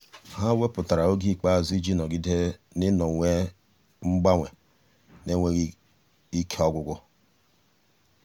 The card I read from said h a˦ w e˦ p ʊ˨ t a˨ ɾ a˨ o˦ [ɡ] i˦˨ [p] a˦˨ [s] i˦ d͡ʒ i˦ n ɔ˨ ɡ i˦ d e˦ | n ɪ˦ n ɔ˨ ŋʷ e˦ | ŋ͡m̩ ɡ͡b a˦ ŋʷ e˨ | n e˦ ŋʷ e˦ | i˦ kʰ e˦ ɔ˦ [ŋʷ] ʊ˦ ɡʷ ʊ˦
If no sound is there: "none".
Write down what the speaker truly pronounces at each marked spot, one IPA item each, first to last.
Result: ɡ, k͡p, z, ɡʷ

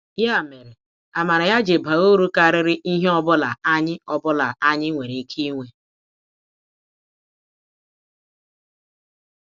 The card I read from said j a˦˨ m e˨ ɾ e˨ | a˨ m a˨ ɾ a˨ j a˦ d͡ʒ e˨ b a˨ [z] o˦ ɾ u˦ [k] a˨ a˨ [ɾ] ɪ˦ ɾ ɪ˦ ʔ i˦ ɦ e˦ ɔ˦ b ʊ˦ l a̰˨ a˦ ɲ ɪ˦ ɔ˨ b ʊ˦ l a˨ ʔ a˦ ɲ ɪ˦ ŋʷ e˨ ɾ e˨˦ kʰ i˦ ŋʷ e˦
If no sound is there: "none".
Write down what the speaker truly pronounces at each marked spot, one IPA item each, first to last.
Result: ɣ, k, ɾ

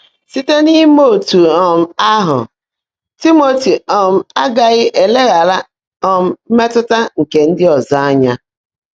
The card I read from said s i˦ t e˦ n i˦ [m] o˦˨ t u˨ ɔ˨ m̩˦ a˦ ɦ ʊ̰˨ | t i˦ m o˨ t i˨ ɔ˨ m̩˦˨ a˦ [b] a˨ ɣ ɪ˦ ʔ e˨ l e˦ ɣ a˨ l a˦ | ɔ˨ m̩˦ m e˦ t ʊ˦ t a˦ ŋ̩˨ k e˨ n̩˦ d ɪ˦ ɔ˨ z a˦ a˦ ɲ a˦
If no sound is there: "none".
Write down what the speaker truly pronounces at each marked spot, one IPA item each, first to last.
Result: m, ɡ

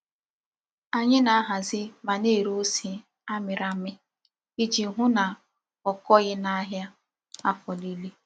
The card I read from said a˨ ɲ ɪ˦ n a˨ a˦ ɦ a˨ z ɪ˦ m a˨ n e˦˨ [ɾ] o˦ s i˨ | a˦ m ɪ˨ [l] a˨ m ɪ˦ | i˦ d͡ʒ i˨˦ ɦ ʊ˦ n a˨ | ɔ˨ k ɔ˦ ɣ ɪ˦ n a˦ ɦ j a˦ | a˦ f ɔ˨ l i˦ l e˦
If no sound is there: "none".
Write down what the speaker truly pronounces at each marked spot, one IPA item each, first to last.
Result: ɾ, ɾ

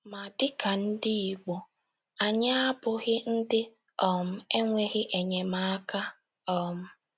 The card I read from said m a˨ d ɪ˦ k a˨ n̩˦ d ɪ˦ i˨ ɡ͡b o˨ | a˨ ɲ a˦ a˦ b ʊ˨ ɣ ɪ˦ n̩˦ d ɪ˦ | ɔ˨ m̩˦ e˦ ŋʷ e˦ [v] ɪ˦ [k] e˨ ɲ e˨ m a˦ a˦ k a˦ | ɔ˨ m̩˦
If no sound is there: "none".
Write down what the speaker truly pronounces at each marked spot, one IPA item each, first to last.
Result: ɣ, ʔ

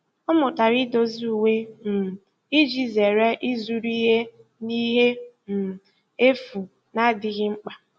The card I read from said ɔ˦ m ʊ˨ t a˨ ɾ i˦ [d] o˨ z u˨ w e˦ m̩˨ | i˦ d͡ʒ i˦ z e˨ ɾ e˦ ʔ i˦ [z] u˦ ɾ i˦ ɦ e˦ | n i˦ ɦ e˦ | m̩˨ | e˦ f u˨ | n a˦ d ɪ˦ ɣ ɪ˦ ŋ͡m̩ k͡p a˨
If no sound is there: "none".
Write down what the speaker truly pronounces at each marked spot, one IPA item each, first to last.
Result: d, z

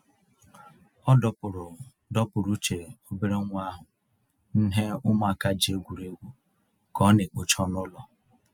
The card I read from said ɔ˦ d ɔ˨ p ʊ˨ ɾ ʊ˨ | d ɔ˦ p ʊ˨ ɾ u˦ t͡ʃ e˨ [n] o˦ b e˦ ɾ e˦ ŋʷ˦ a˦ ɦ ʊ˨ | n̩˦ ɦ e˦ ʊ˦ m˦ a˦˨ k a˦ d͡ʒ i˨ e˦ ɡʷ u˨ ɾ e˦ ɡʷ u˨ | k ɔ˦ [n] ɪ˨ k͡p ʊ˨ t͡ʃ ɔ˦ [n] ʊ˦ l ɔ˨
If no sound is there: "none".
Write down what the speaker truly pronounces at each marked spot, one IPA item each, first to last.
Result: none, n, n

